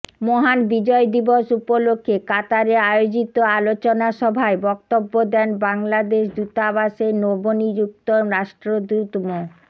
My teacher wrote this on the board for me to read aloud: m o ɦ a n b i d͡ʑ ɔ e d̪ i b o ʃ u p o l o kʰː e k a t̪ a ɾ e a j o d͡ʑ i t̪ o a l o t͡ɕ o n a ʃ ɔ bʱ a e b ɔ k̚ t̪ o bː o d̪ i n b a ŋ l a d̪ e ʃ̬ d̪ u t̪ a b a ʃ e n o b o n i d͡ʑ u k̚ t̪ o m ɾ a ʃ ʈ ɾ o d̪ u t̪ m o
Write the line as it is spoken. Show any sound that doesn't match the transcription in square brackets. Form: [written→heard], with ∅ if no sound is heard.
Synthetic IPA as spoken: m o ɦ a n b i d͡ʑ ɔ e d̪ i b o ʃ u p o l o kʰː e k a t̪ a ɾ e a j o d͡ʑ i t̪ o a l o t͡ɕ o n a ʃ ɔ bʱ a e b ɔ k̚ t̪ o bː o d̪ [i→ɛ] n b a ŋ l a d̪ e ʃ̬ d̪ u t̪ a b a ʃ e n o b o n i d͡ʑ u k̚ t̪ o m ɾ a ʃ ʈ ɾ o d̪ u t̪ m o